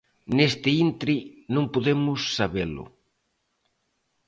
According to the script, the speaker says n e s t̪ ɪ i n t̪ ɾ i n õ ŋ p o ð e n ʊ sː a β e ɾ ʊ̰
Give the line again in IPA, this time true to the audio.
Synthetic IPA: n e s t̪ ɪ i n t̪ ɾ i n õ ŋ p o ð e m ʊ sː a β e l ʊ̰